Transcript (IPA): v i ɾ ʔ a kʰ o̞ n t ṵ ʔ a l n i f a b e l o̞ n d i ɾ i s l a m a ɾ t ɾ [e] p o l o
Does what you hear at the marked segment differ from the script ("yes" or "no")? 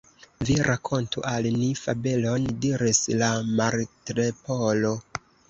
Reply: no